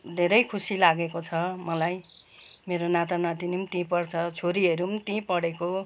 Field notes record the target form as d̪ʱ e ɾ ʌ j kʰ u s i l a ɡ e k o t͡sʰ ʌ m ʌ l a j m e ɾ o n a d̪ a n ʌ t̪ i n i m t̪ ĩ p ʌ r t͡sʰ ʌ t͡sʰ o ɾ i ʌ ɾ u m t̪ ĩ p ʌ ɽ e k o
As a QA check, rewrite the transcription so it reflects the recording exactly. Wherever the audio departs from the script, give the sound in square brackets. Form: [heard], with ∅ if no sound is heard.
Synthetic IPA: d̪ʱ e ɾ ʌ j kʰ u s i l a ɡ e k o t͡sʰ ʌ m ʌ l a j m e ɾ o n a [t̪] a n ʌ t̪ i n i m t̪ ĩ p ʌ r t͡sʰ ʌ t͡sʰ o ɾ i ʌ ɾ u m t̪ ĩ p ʌ ɽ e k o